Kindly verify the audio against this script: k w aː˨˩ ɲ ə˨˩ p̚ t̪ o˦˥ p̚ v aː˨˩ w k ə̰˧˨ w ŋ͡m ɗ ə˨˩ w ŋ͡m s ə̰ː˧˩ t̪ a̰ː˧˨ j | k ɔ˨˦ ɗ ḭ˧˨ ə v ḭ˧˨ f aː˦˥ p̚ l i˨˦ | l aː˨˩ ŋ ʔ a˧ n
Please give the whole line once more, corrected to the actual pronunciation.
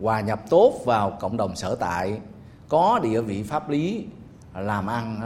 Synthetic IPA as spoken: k w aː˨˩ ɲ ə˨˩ p̚ t̪ o˦˥ t̚ v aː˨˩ w k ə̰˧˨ w ŋ͡m ɗ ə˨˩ w ŋ͡m s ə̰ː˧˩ t̪ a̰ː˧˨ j | k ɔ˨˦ ɗ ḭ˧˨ ə v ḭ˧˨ f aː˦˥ p̚ l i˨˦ | l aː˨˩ m ʔ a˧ n